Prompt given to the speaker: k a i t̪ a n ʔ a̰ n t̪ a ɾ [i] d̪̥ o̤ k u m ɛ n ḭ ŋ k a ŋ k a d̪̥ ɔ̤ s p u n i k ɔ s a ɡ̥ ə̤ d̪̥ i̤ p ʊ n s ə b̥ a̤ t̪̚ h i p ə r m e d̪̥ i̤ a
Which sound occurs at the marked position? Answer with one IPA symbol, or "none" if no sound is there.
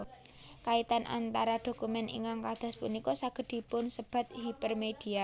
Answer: a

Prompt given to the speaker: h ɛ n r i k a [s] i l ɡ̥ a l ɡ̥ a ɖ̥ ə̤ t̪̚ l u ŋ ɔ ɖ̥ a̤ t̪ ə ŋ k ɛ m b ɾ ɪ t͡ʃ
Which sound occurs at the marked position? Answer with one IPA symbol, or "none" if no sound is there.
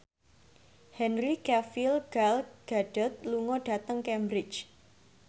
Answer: f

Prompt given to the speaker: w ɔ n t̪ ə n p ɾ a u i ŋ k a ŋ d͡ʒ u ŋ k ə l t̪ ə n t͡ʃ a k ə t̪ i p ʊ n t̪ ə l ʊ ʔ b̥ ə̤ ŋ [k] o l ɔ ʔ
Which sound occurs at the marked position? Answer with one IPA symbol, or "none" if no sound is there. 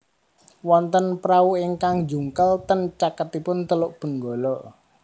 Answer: ɡ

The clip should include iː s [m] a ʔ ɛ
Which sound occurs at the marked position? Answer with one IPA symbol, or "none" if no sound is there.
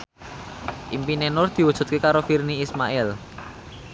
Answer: m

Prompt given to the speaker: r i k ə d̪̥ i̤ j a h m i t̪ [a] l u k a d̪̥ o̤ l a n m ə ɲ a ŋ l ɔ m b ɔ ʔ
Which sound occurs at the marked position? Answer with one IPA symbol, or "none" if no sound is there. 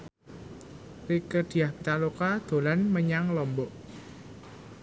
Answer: a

